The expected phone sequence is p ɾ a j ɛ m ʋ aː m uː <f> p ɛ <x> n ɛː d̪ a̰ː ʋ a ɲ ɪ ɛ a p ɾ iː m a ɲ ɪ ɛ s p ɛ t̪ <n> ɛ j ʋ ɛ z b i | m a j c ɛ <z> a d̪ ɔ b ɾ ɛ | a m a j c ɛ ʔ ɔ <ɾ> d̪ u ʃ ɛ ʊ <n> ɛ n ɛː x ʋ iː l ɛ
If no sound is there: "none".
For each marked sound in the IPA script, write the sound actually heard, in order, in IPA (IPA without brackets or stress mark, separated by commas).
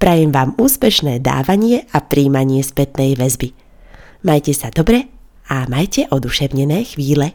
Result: s, ʃ, n, s, none, ɲ